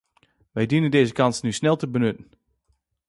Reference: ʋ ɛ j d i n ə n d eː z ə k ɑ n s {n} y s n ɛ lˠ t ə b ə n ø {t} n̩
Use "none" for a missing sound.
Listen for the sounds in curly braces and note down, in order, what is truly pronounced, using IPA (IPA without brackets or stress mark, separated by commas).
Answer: n, t